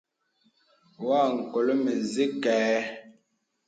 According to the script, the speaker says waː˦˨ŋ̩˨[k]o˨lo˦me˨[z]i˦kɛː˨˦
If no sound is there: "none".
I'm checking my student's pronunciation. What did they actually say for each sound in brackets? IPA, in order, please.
k, z

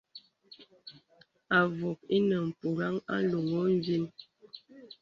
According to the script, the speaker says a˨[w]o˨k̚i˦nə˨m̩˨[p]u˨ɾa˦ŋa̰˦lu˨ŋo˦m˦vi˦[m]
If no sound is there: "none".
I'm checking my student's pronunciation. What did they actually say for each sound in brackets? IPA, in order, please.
v, p, n

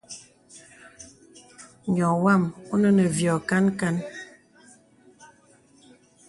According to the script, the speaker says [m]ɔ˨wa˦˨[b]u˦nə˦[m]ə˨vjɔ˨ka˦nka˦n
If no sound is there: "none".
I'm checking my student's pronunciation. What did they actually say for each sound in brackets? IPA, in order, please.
ɲ, m, n

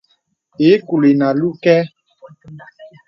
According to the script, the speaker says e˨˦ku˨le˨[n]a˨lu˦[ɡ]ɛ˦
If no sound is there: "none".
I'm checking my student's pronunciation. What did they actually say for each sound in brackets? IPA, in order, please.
n, k

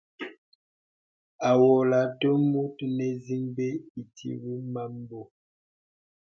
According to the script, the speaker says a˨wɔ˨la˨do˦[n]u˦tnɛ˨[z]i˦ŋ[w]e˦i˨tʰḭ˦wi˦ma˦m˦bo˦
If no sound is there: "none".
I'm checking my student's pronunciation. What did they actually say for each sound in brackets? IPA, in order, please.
m, z, b

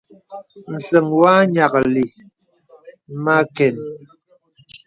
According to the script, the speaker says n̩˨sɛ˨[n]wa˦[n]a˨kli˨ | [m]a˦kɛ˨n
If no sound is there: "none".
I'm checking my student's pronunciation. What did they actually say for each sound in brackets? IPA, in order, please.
ŋ, ɲ, m

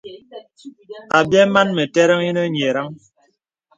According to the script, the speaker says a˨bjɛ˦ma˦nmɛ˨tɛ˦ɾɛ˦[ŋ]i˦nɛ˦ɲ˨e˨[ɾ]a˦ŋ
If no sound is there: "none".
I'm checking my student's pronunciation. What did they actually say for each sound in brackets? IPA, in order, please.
ŋ, ɾ

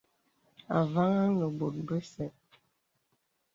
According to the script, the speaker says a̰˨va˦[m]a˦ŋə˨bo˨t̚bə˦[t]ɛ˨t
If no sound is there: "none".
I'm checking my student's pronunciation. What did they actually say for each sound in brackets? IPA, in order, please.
ŋ, s

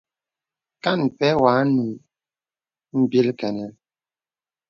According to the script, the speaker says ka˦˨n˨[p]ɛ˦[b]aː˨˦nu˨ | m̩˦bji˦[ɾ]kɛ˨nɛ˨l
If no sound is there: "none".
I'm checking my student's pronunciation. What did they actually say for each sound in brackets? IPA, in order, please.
p, w, l

